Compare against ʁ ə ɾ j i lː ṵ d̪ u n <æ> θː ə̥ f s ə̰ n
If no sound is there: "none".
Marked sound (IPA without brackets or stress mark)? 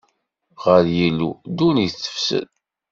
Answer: i